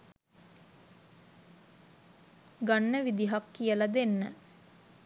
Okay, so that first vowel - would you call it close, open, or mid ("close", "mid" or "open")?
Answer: open